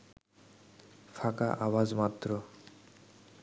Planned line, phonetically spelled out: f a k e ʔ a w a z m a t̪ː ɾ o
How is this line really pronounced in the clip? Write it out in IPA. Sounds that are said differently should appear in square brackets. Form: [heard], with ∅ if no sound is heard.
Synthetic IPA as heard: f a k [a] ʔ a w a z m a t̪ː ɾ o